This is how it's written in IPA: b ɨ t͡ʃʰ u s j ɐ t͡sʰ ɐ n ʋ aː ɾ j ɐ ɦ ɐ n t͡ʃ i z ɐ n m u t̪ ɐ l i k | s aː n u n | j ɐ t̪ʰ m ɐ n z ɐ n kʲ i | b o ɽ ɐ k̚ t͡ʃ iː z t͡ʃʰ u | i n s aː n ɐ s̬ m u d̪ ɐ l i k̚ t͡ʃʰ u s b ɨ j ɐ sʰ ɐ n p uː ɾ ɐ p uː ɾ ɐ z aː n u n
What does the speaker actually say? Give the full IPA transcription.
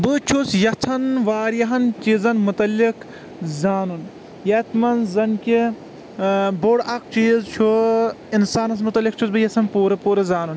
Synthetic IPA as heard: b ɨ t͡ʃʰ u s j ɐ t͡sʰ ɐ n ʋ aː ɾ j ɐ ɦ ɐ n t͡ʃ i z ɐ n m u t̪ ɐ l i k | z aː n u n | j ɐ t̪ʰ m ɐ n z ɐ n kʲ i | b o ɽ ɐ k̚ t͡ʃ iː z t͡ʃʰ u | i n s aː n ɐ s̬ m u t̪ ɐ l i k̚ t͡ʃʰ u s b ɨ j ɐ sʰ ɐ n p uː ɾ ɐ p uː ɾ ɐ z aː n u n